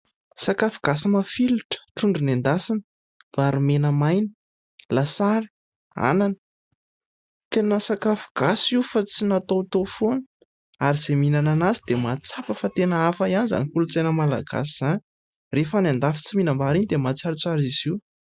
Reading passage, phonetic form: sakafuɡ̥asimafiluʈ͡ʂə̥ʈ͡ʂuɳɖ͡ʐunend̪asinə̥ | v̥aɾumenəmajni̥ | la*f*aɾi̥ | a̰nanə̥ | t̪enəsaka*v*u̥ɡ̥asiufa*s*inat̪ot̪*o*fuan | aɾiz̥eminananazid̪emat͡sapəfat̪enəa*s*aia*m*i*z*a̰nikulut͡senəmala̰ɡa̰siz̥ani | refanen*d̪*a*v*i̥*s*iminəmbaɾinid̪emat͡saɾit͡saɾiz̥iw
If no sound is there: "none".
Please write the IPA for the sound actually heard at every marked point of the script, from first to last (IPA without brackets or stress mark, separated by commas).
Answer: s, f, t͡s, o, f, n, z, d̪, f, t͡s